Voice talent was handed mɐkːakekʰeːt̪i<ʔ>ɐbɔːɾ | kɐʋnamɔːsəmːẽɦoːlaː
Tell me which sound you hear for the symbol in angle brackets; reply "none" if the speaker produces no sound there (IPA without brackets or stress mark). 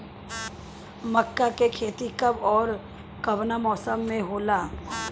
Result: k